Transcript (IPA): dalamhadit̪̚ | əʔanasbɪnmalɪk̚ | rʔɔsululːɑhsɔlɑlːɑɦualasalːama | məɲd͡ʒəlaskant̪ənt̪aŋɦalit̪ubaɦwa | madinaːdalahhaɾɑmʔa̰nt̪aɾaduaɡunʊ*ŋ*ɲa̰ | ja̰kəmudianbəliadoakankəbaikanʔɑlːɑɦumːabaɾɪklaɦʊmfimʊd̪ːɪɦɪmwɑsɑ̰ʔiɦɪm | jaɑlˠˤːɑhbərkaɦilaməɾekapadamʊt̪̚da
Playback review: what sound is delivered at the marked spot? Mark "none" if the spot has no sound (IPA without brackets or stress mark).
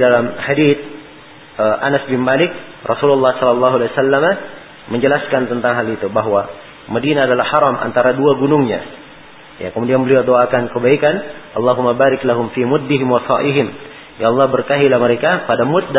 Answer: ŋ